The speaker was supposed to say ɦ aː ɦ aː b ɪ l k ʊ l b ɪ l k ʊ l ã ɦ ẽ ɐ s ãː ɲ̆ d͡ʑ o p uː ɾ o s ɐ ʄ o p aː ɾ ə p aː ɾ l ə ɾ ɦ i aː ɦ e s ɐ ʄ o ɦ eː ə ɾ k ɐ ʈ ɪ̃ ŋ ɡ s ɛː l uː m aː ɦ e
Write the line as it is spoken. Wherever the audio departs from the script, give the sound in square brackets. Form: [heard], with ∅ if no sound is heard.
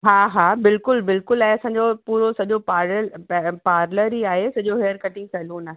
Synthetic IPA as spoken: ɦ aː ɦ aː b ɪ l k ʊ l b ɪ l k ʊ l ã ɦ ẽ ɐ s ãː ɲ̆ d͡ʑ o p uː ɾ o s ɐ ʄ o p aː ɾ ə p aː ɾ l ə ɾ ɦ i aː ɦ e s ɐ ʄ o ɦ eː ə ɾ k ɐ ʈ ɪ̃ ŋ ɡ s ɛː l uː [n] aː ɦ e